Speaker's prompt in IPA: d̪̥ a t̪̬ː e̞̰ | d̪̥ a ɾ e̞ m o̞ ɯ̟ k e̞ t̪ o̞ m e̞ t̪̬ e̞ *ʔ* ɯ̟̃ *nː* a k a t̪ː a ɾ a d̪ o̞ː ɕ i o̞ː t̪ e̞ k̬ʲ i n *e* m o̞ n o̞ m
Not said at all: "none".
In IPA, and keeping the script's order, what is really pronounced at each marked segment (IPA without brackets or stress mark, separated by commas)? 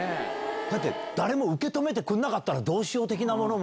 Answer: k, nː, a